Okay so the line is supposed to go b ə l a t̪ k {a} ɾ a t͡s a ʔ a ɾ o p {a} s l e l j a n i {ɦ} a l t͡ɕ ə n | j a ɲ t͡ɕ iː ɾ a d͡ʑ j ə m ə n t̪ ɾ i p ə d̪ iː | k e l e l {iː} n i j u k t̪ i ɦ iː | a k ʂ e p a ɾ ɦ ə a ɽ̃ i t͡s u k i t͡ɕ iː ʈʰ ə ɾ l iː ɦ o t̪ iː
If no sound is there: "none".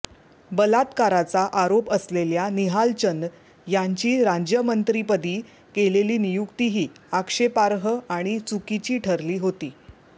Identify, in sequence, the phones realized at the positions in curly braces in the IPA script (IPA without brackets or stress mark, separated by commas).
a, ə, ɦ, iː